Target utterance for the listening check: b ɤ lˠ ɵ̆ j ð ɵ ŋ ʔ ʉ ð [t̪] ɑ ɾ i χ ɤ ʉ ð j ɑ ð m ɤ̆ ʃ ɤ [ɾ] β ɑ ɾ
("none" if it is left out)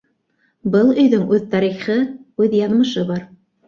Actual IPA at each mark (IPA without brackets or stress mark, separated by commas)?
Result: t̪, none